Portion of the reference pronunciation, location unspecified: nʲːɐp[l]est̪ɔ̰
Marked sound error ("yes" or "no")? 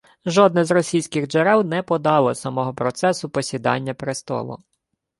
yes